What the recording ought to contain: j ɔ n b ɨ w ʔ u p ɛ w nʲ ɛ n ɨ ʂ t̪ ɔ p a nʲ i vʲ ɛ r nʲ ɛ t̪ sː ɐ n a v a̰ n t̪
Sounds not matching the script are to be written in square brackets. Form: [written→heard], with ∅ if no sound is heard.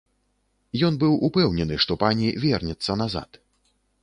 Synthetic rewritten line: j ɔ n b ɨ w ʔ u p ɛ w nʲ ɛ n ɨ ʂ t̪ ɔ p a nʲ i vʲ ɛ r nʲ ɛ t̪ sː ɐ n a [v→z] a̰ [n→∅] t̪